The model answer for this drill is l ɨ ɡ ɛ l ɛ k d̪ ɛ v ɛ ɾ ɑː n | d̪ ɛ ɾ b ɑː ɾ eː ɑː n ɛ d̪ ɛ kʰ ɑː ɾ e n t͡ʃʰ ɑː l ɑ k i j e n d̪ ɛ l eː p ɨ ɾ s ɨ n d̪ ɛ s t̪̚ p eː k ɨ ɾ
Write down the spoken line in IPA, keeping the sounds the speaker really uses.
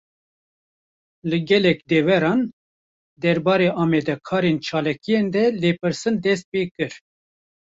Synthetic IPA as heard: l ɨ ɡ ɛ l ɛ k d̪ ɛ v ɛ ɾ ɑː n | d̪ ɛ ɾ b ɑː ɾ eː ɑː m ɛ d̪ ɛ kʰ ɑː ɾ e n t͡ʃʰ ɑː l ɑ k i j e n d̪ ɛ l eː p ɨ ɾ s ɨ n d̪ ɛ s t̪̚ p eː k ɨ ɾ